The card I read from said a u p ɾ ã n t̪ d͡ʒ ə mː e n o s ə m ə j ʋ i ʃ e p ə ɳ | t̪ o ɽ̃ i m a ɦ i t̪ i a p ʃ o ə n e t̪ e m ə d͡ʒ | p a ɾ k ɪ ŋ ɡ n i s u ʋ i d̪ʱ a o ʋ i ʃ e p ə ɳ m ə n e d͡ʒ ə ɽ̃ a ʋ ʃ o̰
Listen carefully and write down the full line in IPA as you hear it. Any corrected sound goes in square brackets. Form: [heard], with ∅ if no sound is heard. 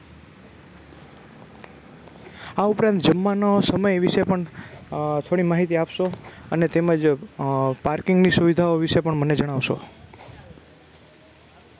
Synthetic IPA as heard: a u p ɾ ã n t̪ d͡ʒ ə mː [a] n o s ə m ə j ʋ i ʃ e p ə ɳ | [t̪ʰ] o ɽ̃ i m a ɦ i t̪ i a p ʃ o ə n e t̪ e m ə d͡ʒ | p a ɾ k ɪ ŋ ɡ n i s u ʋ i d̪ʱ a o ʋ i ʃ e p ə ɳ m ə n e d͡ʒ ə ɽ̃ a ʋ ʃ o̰

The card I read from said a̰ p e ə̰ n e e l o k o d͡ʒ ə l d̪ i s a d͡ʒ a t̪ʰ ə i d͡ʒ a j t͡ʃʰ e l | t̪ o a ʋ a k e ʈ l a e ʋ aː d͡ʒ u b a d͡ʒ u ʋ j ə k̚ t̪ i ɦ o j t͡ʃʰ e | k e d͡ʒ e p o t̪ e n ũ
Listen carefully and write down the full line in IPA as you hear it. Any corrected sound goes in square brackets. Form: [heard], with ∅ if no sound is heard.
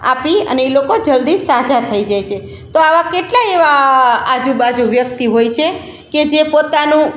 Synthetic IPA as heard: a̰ p [i] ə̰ n e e l o k o d͡ʒ ə l d̪ i s a d͡ʒ a t̪ʰ ə i d͡ʒ a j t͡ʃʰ e [∅] | t̪ o a ʋ a k e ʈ l a e ʋ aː d͡ʒ u b a d͡ʒ u ʋ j ə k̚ t̪ i ɦ o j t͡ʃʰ e | k e d͡ʒ e p o t̪ [a] n ũ

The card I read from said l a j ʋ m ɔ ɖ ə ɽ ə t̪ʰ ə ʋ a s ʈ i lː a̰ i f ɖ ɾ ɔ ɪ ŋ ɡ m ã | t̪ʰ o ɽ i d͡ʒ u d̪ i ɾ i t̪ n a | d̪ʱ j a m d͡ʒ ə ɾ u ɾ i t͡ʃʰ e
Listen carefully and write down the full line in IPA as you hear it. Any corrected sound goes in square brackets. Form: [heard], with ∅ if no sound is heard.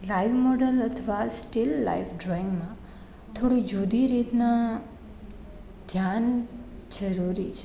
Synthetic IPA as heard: l a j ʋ m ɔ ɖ ə [l] ə t̪ʰ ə ʋ a s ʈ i lː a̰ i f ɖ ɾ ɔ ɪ ŋ ɡ m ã | t̪ʰ o ɽ i d͡ʒ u d̪ i ɾ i t̪ n a | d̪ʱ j a [n] d͡ʒ ə ɾ u ɾ i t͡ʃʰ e

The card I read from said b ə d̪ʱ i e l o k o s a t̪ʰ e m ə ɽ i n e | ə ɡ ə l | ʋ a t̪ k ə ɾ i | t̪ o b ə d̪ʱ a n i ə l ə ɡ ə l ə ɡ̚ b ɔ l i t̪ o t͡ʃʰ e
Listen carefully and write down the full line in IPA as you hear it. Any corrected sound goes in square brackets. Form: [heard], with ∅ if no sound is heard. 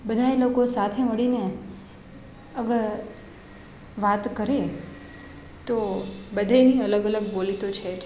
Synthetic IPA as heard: b ə d̪ʱ [a] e l o k o s a t̪ʰ e m ə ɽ i n e | ə ɡ ə [ɾ] | ʋ a t̪ k ə ɾ [e] | t̪ o b ə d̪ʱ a n i ə l ə ɡ ə l ə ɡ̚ b [o] l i t̪ o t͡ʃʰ e

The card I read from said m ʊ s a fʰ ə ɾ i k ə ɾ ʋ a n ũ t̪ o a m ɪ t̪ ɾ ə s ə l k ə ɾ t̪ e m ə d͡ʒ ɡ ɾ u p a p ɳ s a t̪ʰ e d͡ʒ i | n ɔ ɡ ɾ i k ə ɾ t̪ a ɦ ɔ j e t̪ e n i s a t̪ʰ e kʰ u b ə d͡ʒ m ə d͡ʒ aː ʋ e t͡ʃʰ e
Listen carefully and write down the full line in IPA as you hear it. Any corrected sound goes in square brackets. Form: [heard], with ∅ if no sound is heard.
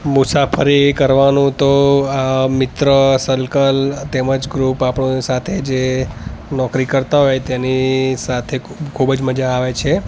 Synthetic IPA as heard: m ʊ s a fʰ ə ɾ i k ə ɾ ʋ a n ũ t̪ o a m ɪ t̪ ɾ ə s ə l k ə [l] t̪ e m ə d͡ʒ ɡ ɾ u p a p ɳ s a t̪ʰ e d͡ʒ [e] | n ɔ [k] ɾ i k ə ɾ t̪ a ɦ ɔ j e t̪ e n i s a t̪ʰ e kʰ u b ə d͡ʒ m ə d͡ʒ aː ʋ e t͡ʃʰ e

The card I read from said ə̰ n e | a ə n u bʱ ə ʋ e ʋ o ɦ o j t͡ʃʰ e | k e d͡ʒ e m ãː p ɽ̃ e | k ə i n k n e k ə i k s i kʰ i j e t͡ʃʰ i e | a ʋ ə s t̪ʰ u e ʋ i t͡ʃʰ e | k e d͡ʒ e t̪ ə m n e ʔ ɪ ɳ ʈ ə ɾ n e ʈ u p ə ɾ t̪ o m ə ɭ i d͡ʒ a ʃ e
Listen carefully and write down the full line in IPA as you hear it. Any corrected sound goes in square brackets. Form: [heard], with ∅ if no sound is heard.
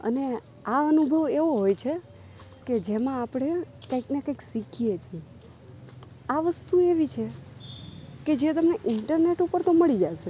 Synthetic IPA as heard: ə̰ n e | a ə n u bʱ ə ʋ e ʋ o ɦ o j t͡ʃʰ e | k e d͡ʒ e m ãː p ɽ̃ e | k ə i [∅] k n e k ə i k s i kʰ i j e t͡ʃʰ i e | a ʋ ə s [t̪] u e ʋ i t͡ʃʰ e | k e d͡ʒ e t̪ ə m n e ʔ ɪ ɳ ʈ ə ɾ n e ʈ u p ə ɾ t̪ o m ə ɭ i d͡ʒ a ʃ e

